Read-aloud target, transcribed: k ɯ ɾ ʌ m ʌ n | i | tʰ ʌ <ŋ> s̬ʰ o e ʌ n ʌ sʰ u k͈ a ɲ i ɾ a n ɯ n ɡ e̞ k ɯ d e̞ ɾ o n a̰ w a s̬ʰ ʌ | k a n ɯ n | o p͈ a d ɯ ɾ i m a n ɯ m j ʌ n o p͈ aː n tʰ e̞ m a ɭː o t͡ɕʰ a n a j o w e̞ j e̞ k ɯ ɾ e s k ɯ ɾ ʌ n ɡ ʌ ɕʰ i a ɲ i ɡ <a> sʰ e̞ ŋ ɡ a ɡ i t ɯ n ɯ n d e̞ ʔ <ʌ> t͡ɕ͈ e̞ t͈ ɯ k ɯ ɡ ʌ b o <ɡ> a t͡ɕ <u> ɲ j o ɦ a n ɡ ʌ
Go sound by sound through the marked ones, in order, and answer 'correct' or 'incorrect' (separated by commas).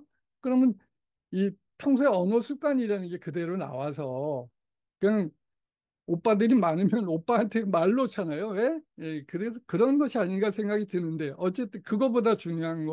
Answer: correct, correct, correct, incorrect, correct